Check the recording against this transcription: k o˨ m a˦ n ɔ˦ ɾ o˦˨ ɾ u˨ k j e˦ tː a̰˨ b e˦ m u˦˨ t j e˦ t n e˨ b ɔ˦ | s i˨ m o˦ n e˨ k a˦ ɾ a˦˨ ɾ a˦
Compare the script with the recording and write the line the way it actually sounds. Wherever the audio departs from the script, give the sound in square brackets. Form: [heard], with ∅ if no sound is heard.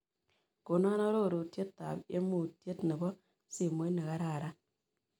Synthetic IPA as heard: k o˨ [n] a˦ n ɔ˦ ɾ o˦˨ ɾ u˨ [t] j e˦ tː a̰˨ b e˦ m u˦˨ t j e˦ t n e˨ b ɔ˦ | s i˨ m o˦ n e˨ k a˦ ɾ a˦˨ ɾ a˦